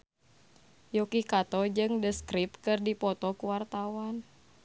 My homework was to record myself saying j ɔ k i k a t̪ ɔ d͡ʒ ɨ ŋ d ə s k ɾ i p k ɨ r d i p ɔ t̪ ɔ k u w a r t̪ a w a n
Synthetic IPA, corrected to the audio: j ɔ k i k a t̪ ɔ d͡ʒ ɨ ŋ d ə s k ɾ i p k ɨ r d i p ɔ t̪ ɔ k u w a r t̪ a w a n